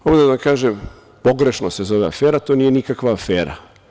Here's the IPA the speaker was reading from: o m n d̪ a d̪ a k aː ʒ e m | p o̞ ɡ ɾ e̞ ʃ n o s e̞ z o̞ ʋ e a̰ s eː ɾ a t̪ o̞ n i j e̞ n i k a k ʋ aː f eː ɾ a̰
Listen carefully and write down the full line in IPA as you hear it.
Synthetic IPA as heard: o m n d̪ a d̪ a k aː ʒ e m | p o̞ ɡ ɾ e̞ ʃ n o s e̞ z o̞ ʋ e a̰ f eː ɾ a t̪ o̞ n i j e̞ n i k a k ʋ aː f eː ɾ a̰